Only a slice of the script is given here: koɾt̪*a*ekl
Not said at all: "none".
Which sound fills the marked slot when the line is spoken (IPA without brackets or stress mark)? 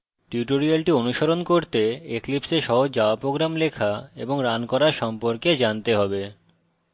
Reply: e